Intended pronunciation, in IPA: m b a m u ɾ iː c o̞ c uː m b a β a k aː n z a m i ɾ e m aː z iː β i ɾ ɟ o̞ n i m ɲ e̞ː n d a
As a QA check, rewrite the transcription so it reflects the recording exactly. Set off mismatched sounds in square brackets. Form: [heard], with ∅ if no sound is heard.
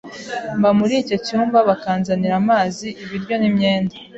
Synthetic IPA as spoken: m b a m u ɾ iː c o̞ c uː m b a β a k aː n z a [n] i ɾ [a] m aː z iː β i ɾ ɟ o̞ n i m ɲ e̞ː n d a

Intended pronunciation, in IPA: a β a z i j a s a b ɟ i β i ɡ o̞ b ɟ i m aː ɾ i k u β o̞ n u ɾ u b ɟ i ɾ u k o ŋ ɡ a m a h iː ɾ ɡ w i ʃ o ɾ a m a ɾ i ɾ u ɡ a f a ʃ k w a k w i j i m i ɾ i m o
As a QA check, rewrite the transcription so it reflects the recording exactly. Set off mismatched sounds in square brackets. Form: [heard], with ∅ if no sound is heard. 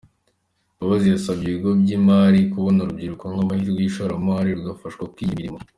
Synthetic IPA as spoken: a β a z i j a s a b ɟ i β i ɡ o̞ b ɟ i m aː ɾ i k u β o̞ n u ɾ u b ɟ i ɾ u k o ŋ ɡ a m a h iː ɾ ɡ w i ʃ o ɾ a m a ɾ i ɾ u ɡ a f a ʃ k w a k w i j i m i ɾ i m o

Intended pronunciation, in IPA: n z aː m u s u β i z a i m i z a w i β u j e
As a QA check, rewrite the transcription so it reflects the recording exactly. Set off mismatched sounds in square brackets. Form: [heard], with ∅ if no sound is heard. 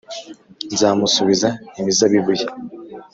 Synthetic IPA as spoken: n z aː m u s u β i z a i m i z a [β] i β u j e

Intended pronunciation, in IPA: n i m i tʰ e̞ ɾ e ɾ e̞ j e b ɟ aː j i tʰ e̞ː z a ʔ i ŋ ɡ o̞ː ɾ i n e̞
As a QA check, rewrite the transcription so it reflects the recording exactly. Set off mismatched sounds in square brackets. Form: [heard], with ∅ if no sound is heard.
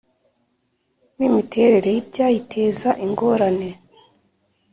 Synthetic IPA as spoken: n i m i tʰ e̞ ɾ e ɾ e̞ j [i] b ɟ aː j i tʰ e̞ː z a ʔ i ŋ ɡ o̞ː ɾ [a] n e̞

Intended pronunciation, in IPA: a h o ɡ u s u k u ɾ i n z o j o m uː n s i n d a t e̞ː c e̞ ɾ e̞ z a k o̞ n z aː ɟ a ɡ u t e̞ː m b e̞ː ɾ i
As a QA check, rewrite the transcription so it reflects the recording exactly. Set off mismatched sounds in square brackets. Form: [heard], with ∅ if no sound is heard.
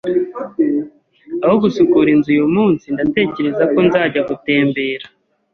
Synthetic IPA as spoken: a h o ɡ u s u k u ɾ i n z [u] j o m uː n s i n d a t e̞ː c e̞ ɾ e̞ z a k o̞ n z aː ɟ a ɡ u t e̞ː m b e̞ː ɾ [a]

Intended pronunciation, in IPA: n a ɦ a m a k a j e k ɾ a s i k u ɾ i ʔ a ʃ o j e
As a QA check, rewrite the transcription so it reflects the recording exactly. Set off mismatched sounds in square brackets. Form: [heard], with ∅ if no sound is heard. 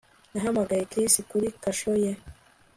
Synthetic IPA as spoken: n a ɦ a m a [ɡ] a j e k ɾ [i] s i k u ɾ i [k] a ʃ o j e

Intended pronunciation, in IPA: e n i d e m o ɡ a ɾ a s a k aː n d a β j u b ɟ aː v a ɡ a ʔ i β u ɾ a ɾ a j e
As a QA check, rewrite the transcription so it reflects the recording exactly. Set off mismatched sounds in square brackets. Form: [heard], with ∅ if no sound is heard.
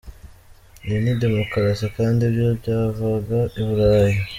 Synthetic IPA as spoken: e n i d e m o [k] a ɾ a s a k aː n d [i] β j [o] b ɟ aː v a ɡ a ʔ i β u ɾ a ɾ a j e

